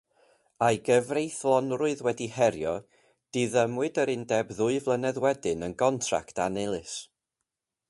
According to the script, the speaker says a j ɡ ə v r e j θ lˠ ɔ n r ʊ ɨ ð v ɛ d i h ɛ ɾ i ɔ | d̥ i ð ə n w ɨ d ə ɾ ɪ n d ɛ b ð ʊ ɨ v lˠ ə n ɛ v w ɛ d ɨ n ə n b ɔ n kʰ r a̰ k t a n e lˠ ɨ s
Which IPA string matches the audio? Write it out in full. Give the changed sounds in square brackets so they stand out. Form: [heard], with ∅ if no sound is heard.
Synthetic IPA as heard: a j ɡ ə v r e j θ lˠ ɔ n r ʊ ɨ ð [w] ɛ d i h ɛ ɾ [j] ɔ | d̥ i ð ə [m] w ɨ d ə ɾ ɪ n d ɛ b ð ʊ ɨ v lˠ ə n ɛ [ð] w ɛ d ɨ n ə n [ɡ] ɔ n [tʰ] r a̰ k t a n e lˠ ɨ s